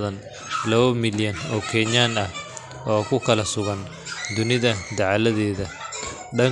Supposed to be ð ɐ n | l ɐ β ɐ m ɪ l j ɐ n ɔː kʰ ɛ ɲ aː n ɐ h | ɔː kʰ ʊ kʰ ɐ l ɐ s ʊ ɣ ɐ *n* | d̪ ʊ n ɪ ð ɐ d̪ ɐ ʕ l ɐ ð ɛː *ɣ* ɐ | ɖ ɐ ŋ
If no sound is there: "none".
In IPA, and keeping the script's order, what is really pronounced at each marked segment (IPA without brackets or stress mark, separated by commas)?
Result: n, ð